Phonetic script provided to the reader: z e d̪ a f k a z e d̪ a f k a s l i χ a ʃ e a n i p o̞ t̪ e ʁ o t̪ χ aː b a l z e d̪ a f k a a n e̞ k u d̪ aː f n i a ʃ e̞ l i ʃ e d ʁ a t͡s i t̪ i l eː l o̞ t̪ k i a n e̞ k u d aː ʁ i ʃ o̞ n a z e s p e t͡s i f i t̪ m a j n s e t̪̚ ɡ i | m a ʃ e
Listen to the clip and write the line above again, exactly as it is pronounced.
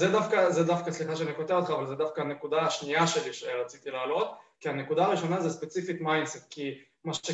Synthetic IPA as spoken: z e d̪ a f k a z e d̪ a f k a s l i χ a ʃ e a n i k o̞ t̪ e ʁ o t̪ χ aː v a l z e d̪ a f k a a n e̞ k u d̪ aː ʃ n i a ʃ e̞ l i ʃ e ʁ a t͡s i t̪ i l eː l o̞ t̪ k i a n e̞ k u d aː ʁ i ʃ o̞ n a z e s p e t͡s i f i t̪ m a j n s e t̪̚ k i | m a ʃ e